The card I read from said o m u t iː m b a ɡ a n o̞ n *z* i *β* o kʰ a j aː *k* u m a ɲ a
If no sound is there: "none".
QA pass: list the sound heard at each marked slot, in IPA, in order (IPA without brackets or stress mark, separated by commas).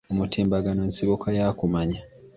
s, β, k